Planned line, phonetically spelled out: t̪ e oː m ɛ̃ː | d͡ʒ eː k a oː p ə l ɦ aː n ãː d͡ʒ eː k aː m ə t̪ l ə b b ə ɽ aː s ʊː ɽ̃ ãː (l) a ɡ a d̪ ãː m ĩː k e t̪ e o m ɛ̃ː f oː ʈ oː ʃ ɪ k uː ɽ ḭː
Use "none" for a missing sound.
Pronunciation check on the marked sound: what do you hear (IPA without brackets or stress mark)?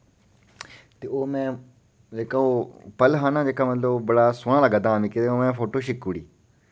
l